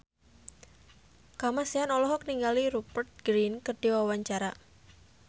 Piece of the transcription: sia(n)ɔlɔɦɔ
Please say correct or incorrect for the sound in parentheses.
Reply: correct